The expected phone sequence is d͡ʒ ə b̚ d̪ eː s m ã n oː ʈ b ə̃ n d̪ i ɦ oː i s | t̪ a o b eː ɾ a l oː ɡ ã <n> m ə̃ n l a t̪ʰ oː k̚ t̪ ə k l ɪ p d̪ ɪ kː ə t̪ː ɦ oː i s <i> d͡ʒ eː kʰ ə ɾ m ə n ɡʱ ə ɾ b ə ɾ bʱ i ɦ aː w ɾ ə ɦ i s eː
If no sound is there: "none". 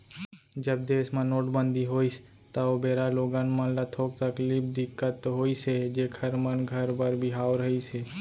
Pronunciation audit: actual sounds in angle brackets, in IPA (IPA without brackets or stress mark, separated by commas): n, e